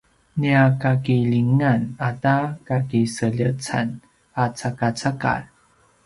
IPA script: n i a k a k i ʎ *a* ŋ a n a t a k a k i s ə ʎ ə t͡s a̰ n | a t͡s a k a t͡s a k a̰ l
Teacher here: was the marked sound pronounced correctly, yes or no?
no